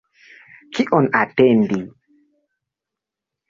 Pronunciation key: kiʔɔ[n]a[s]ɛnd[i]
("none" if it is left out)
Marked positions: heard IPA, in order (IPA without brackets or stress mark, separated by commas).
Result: n, t, i